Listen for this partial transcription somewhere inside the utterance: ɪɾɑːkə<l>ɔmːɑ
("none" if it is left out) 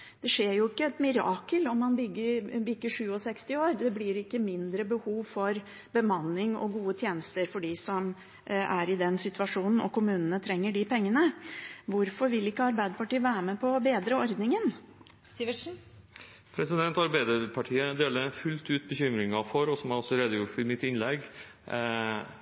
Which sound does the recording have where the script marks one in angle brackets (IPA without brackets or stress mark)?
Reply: l